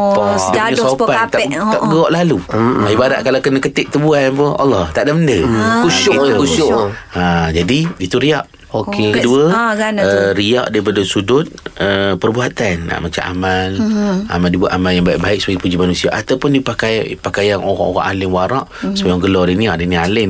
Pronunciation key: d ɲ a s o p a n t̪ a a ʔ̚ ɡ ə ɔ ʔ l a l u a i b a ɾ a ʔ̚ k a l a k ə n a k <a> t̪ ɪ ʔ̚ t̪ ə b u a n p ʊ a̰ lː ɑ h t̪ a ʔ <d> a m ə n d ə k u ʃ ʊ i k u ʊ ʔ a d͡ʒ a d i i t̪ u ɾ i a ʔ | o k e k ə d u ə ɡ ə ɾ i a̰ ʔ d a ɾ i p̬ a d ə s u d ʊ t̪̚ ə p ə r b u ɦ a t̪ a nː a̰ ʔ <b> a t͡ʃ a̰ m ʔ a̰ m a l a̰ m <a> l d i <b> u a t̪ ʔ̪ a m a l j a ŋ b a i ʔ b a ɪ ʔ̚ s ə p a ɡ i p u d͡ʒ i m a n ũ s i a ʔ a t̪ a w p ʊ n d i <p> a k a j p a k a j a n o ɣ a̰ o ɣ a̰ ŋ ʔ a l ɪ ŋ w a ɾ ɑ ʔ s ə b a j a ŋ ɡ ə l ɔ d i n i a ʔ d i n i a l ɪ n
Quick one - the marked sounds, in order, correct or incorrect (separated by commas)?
incorrect, correct, incorrect, correct, correct, correct